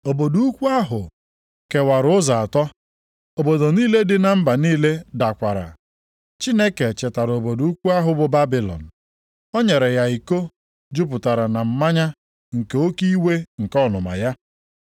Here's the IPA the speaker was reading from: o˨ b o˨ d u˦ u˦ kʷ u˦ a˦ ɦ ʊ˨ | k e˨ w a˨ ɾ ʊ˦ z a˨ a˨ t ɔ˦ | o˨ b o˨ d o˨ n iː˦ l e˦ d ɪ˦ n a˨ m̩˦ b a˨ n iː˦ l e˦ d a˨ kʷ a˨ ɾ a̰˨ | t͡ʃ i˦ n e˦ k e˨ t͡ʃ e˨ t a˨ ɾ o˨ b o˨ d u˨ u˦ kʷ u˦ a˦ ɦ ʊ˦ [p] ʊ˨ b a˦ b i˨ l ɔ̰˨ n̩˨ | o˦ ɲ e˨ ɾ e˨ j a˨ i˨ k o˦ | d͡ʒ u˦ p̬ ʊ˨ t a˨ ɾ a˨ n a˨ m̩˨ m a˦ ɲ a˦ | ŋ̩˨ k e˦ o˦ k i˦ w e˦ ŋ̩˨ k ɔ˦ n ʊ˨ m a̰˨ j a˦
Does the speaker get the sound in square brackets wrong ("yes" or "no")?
yes